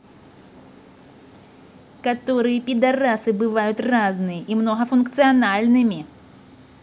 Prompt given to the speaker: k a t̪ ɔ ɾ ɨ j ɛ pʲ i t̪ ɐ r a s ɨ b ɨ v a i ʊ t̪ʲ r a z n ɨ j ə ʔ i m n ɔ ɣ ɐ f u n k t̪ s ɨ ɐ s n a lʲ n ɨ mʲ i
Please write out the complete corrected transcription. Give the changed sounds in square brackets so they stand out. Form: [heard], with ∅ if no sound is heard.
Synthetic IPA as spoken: k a t̪ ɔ ɾ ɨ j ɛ pʲ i [d̪] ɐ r a s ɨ b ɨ v a [j] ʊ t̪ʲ r a z n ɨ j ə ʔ i m n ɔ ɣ ɐ f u n k t̪ s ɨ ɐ [∅] n a lʲ n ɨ mʲ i

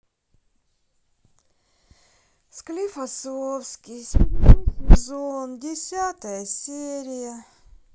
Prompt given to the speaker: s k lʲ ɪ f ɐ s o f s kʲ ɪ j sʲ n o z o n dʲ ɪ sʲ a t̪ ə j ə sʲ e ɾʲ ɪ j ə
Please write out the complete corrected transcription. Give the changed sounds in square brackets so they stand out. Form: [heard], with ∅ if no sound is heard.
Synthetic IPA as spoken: s k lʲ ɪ f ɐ s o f s kʲ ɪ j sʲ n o z o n dʲ ɪ sʲ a t̪ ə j ə sʲ e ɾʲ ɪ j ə

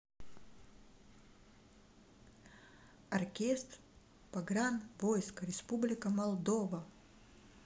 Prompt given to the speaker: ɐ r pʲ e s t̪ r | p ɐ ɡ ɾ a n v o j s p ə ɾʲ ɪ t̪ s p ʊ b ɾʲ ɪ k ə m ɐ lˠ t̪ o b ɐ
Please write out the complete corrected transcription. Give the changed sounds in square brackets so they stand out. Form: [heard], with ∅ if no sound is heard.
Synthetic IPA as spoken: ɐ r [kʲ] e s t̪ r | p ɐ ɡ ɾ a n v o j s [k] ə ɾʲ ɪ [∅] s p [u] b [lʲ] ɪ k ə m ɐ lˠ [d̪] o [v] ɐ

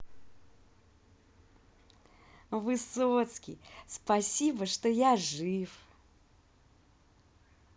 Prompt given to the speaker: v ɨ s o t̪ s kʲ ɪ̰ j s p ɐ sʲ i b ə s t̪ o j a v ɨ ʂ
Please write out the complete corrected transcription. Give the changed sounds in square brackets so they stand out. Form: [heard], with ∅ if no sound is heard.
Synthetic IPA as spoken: v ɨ s o t̪ s kʲ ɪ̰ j s p ɐ sʲ i b ə [ʂ] t̪ o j a [ʐ] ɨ [f]

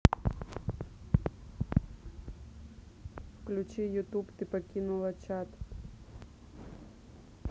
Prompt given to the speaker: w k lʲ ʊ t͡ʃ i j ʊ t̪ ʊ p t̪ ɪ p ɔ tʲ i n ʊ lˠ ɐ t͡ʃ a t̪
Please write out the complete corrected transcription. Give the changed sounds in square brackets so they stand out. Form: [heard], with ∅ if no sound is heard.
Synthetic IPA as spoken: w k lʲ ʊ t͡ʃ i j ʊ t̪ [u] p t̪ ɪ p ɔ [kʲ] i n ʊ lˠ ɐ t͡ʃ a t̪

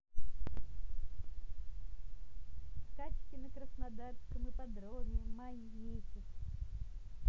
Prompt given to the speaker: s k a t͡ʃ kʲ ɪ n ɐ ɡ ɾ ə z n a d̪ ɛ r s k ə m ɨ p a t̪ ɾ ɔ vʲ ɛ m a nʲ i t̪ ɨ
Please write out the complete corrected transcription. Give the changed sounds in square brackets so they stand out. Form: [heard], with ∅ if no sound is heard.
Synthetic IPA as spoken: s k a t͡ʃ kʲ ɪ n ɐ [k] ɾ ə [s] n a d̪ [a] r s k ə m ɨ p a [d̪] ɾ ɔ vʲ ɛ m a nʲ i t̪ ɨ

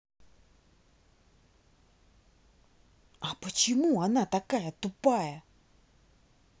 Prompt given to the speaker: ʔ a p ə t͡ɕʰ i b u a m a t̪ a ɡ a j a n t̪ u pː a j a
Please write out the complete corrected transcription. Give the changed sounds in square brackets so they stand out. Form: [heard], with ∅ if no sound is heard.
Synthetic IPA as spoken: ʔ a p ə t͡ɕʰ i [m] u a [n] a t̪ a [k] a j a [∅] t̪ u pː a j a

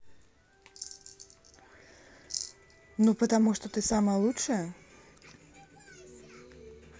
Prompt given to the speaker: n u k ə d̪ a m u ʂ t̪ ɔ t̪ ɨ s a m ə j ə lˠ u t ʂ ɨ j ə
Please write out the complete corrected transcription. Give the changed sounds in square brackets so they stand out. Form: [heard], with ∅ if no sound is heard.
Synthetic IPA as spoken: n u [p] ə [t̪] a m u ʂ t̪ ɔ t̪ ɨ s a m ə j ə lˠ u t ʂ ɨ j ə

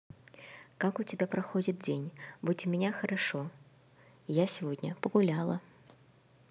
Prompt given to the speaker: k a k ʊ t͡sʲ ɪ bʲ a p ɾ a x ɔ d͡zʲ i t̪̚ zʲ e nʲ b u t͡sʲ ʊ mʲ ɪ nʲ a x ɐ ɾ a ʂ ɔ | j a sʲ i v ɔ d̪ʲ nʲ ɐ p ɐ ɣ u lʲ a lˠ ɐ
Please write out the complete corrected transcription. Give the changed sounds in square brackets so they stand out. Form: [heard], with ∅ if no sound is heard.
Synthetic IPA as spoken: k a k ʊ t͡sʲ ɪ bʲ a p ɾ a x ɔ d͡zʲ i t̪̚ [d͡zʲ] e nʲ b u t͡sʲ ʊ mʲ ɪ nʲ a x ɐ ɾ a ʂ ɔ | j a sʲ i v ɔ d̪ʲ nʲ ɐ p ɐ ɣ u lʲ a lˠ ɐ

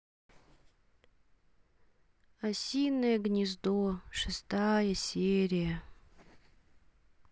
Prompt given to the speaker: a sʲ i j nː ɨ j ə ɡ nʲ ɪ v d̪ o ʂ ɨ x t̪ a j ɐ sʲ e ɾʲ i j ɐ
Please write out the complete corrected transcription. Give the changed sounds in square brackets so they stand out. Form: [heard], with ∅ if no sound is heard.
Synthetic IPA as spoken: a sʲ i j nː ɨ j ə ɡ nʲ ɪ [z] d̪ o ʂ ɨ [s] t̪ a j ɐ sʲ e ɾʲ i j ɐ

